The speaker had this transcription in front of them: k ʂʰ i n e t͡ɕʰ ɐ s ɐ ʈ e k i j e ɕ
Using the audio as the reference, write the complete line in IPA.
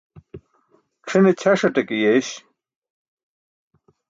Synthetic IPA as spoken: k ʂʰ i n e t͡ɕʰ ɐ ʂ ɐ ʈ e k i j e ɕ